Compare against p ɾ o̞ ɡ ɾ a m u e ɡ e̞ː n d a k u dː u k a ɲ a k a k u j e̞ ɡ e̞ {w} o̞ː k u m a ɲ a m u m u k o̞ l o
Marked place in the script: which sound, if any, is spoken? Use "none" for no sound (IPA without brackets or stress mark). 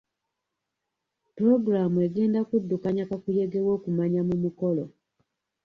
w